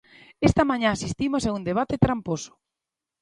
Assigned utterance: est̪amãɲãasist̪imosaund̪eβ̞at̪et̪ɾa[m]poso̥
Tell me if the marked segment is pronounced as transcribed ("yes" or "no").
yes